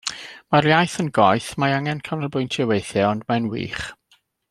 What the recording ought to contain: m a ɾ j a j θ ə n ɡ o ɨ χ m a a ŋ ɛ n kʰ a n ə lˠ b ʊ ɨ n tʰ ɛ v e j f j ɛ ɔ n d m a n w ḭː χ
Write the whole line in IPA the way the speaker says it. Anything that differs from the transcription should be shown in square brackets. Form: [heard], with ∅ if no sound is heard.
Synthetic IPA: m a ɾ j a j θ ə n ɡ [ɔ] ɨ [θ] m a a ŋ ɛ n kʰ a n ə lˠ b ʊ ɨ n tʰ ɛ [w] e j [θ] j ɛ ɔ n d m a n w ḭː χ